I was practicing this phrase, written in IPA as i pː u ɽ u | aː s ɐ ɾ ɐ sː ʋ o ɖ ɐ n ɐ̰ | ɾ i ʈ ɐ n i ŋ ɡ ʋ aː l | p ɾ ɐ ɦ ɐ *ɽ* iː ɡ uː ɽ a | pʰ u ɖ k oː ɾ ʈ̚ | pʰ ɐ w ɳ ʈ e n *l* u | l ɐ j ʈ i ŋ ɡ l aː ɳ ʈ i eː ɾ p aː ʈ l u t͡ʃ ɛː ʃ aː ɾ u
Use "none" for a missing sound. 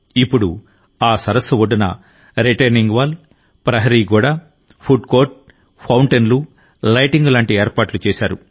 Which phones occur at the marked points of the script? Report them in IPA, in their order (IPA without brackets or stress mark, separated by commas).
ɾ, l